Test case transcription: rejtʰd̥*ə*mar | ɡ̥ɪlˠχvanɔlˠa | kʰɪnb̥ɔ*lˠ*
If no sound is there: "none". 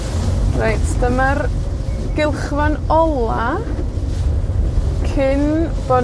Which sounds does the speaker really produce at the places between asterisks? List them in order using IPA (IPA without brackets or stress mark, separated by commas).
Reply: ə, none